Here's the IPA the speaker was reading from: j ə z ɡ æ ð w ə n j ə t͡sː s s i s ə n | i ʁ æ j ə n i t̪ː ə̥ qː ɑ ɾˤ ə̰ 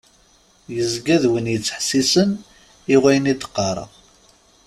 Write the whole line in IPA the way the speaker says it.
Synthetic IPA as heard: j ə z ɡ æ ð w ə n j ə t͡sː ħ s i s ə n | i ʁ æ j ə n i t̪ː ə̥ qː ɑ ɾˤ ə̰